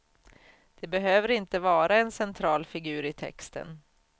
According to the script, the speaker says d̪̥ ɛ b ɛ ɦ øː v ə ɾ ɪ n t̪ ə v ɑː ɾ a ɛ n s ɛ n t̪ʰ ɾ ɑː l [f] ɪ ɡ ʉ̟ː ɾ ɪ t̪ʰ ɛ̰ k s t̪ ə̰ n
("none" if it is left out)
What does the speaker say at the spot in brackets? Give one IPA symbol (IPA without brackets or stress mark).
f